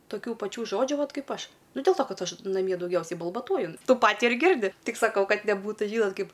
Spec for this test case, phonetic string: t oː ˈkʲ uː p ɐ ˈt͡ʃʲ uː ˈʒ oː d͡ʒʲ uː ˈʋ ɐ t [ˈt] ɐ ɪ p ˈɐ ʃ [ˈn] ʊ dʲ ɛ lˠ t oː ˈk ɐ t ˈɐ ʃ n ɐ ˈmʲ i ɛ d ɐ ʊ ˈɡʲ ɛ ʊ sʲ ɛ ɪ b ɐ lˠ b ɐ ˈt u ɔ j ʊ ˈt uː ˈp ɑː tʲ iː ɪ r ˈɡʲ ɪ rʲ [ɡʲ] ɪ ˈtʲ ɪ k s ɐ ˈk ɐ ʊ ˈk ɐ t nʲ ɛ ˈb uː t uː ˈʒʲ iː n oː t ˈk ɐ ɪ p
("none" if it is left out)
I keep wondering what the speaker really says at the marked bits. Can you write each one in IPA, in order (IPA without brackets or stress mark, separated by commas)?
k, n, dʲ